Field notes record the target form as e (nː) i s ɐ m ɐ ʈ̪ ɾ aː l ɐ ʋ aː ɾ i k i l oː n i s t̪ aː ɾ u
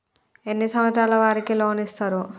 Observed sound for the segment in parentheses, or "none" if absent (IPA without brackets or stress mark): nː